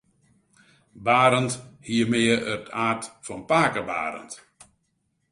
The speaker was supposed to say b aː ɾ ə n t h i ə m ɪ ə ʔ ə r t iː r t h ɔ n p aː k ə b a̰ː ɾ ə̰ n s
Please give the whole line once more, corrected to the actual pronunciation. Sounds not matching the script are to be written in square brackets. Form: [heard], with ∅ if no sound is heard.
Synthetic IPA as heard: b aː ɾ ə n t h i ə m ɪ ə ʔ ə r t [aː] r t [f] ɔ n p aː k ə b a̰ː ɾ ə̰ n [t]